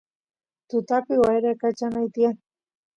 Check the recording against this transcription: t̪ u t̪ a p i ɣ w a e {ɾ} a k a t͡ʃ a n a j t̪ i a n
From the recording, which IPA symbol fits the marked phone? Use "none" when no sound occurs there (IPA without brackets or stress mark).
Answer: ɾ